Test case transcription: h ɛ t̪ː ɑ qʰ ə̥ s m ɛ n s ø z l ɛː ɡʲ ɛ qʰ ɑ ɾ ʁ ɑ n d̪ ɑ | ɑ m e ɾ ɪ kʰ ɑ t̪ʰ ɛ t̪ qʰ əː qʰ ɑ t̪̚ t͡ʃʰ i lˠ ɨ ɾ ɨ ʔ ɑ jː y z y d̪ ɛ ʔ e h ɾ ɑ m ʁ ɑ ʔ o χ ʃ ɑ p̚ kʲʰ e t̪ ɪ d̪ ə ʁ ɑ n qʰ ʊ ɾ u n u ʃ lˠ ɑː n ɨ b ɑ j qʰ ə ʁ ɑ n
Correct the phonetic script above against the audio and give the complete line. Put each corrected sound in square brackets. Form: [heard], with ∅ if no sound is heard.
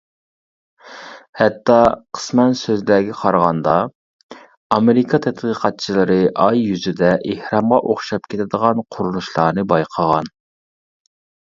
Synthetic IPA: h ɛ t̪ː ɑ qʰ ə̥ s m ɛ n s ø z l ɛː ɡʲ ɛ qʰ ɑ ɾ ʁ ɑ n d̪ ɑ | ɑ m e ɾ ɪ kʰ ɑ t̪ʰ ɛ t̪ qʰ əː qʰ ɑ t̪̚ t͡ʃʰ i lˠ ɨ ɾ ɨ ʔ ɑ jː y z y d̪ ɛ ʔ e h ɾ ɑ m ʁ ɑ ʔ o χ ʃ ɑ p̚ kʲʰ e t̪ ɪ d̪ ə ʁ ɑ n qʰ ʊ ɾ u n u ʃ lˠ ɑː n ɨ b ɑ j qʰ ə ʁ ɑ n